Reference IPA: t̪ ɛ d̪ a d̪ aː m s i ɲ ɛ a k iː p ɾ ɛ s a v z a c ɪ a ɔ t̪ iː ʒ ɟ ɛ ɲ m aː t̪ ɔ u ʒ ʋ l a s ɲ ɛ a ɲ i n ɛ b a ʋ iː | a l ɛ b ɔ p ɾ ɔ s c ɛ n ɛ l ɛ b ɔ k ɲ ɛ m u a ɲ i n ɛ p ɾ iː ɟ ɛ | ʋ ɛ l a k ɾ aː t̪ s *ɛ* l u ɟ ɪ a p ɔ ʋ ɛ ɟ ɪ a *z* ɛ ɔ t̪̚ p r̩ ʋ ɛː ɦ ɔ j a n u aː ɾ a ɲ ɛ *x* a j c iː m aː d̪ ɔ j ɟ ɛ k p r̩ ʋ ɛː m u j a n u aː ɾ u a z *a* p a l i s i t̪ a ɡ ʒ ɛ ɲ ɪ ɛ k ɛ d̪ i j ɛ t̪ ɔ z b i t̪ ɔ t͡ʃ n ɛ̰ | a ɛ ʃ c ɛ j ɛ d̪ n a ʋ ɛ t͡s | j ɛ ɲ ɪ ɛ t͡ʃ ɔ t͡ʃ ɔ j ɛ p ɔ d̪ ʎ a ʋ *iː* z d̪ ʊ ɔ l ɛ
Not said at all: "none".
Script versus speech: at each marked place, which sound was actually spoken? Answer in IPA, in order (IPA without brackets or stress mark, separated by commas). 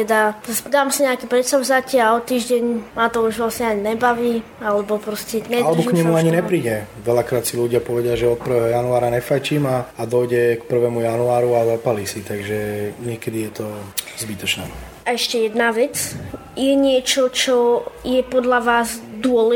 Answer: i, ʒ, f, a, aː